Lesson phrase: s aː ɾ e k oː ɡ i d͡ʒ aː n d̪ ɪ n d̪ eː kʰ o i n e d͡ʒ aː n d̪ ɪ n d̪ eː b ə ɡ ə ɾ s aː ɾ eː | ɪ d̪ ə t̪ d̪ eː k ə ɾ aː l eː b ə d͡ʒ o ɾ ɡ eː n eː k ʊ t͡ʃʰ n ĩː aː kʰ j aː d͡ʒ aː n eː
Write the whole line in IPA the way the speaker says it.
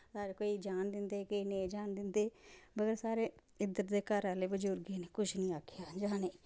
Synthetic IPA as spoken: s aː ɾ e k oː i d͡ʒ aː n d̪ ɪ n d̪ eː k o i n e d͡ʒ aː n d̪ ɪ n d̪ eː b ə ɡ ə ɾ s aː ɾ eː | ɪ d̪ ə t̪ d̪ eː k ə ɾ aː l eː b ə d͡ʒ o ɾ ɡ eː n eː k ʊ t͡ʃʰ n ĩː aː kʰ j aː d͡ʒ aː n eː